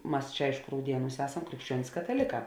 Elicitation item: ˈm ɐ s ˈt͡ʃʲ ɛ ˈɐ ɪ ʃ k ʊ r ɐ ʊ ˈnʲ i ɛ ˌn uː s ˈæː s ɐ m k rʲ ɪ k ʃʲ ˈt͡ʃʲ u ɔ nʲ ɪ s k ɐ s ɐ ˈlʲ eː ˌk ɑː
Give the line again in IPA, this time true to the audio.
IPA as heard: ˈm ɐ s ˈt͡ʃʲ ɛ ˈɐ ɪ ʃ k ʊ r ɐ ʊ ˈdʲ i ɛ ˌn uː s ˈæː s ɐ m k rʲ ɪ k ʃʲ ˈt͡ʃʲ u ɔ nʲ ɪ s k ɐ t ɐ ˈlʲ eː ˌk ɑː

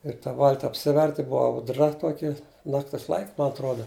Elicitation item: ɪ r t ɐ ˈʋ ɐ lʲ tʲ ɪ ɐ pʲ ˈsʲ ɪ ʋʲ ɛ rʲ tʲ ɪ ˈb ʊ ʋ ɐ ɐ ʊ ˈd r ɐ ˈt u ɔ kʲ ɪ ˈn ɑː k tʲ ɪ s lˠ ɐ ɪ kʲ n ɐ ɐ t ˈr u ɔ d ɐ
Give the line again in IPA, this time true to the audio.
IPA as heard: ɪ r t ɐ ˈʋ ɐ lʲ tʲ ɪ ɐ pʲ ˈsʲ ɪ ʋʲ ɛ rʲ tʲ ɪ ˈb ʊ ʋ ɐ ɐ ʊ ˈd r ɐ ˈt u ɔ kʲ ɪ ˈn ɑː k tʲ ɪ s lˠ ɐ ɪ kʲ m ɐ ɐ t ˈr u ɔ d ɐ

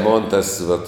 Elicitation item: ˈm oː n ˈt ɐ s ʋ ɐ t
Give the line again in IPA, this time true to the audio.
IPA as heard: ˈm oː n ˈt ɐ s ʋ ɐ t

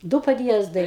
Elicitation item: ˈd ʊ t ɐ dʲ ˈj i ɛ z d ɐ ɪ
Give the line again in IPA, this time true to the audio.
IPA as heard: ˈd ʊ p ɐ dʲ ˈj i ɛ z d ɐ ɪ

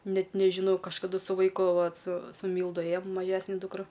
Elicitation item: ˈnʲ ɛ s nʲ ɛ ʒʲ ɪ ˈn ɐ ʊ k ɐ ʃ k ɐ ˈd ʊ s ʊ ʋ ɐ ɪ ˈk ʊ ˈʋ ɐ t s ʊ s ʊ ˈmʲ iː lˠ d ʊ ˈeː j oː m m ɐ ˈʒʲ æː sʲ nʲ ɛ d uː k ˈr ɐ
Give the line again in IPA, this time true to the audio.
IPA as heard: ˈnʲ ɛ t nʲ ɛ ʒʲ ɪ ˈn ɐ ʊ k ɐ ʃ k ɐ ˈd ʊ s ʊ ʋ ɐ ɪ ˈk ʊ ˈʋ ɐ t s ʊ s ʊ ˈmʲ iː lˠ d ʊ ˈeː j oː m m ɐ ˈʒʲ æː sʲ nʲ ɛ d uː k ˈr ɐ

